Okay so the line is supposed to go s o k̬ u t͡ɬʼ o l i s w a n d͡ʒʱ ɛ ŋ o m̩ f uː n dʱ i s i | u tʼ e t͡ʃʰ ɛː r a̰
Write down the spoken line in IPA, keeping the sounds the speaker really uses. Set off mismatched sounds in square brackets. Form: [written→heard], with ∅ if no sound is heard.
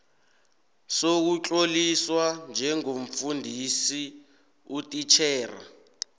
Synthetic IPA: s o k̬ u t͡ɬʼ o l i s w a n d͡ʒʱ ɛ ŋ o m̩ f [uː→u] n dʱ i s i | u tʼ [e→i] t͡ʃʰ ɛː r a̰